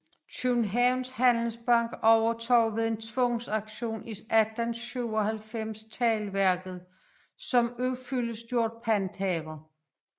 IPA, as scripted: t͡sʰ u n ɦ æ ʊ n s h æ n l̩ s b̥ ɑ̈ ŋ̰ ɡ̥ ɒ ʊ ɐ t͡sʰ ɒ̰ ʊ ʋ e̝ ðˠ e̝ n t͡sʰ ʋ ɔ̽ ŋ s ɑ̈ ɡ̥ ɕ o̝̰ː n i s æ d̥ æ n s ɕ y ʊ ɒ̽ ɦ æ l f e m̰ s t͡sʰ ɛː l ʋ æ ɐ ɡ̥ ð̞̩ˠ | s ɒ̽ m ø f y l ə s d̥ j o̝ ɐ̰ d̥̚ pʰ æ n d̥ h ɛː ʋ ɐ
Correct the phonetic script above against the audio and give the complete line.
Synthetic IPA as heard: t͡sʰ u n ɦ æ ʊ n s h æ n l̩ s b̥ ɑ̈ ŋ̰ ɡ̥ ɒ ʊ ɐ t͡sʰ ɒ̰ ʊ ʋ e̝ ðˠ e̝ n t͡sʰ ʋ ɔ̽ ŋ s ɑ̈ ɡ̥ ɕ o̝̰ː n i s æ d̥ æ n s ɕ y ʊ ɒ̽ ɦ æ l f e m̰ s t͡sʰ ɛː l ʋ æ ɐ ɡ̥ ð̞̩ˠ | s ɒ̽ m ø f y l ə s d̥ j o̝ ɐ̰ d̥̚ pʰ æ n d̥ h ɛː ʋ ɐ